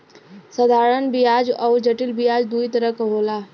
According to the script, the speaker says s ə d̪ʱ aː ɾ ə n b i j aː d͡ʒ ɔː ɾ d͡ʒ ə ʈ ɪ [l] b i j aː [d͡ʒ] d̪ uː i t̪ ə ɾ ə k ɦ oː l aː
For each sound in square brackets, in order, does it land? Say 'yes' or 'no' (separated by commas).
yes, yes